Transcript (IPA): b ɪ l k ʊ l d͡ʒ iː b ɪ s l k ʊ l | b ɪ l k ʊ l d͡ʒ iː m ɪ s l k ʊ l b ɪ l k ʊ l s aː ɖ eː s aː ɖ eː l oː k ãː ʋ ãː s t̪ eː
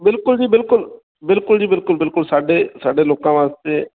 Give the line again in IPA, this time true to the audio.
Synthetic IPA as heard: b ɪ l k ʊ l d͡ʒ iː b ɪ l k ʊ l | b ɪ l k ʊ l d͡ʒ iː b ɪ l k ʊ l b ɪ l k ʊ l s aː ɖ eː s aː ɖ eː l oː k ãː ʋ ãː s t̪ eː